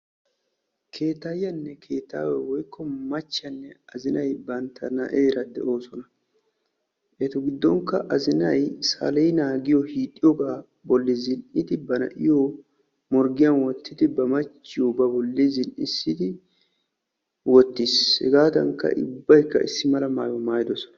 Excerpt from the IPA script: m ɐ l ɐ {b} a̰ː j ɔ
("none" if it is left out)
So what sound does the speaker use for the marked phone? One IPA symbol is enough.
m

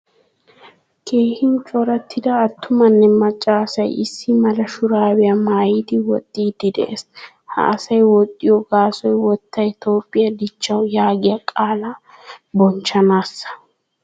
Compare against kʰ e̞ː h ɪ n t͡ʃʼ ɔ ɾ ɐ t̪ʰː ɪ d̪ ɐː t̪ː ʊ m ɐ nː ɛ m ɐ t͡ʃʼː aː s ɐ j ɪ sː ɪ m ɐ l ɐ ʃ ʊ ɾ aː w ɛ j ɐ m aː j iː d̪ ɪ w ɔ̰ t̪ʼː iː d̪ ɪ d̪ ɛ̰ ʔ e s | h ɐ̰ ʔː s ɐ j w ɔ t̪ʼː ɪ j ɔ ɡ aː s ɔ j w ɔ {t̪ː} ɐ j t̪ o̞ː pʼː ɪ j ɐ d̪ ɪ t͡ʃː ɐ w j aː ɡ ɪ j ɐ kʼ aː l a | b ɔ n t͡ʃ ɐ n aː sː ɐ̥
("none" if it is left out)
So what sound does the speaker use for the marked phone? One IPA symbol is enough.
t̪ː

